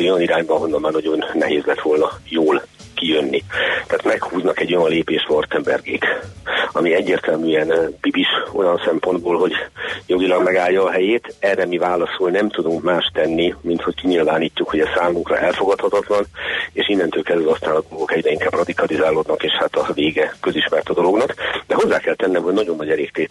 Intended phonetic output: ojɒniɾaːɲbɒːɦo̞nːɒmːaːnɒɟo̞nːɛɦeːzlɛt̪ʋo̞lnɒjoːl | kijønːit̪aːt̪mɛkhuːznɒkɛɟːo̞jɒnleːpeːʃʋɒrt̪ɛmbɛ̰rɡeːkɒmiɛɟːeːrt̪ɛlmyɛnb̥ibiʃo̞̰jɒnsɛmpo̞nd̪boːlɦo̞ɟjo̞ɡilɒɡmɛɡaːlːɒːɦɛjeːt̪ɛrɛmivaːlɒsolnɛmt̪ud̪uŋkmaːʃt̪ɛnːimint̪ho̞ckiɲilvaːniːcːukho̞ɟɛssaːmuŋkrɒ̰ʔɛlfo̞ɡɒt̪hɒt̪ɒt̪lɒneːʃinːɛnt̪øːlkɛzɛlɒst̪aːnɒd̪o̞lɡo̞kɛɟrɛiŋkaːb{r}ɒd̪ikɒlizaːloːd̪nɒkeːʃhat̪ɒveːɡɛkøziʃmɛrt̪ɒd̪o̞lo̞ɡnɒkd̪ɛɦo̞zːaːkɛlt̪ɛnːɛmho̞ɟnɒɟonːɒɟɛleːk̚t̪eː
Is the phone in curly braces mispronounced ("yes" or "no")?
no